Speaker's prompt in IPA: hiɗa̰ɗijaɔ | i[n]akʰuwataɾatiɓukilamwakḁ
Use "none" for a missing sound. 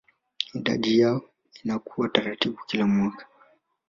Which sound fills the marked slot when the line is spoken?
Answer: n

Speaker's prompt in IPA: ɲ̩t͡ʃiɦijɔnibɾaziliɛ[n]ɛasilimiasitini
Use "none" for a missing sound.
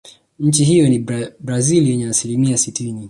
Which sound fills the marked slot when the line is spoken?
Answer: ɲ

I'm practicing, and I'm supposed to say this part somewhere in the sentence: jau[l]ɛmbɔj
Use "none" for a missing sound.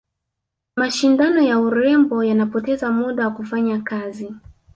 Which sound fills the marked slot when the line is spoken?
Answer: ɾ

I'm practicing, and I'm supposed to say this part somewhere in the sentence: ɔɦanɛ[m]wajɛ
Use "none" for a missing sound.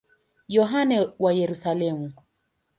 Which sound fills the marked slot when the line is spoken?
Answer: none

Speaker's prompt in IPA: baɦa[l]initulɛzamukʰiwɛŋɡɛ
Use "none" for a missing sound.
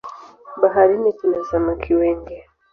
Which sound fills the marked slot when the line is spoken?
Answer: ɾ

